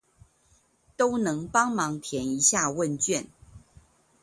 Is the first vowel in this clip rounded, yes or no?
yes